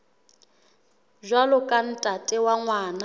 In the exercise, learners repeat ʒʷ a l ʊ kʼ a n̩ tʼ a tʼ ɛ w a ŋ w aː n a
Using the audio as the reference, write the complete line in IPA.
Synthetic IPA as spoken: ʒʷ a l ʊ kʼ a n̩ tʼ a tʼ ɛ w a ŋ w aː n a